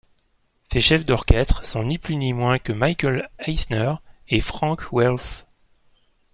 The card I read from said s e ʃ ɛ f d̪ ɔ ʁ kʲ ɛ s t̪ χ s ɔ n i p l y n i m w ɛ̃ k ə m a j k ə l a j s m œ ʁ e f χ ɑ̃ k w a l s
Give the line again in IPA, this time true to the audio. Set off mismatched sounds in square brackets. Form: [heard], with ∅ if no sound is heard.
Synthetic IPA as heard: s e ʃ ɛ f d̪ ɔ ʁ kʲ ɛ s t̪ χ s [ɔ̃] n i p l y n i m w ɛ̃ k ə m a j k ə l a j s [n] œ ʁ e f χ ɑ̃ k w [ɛ] l s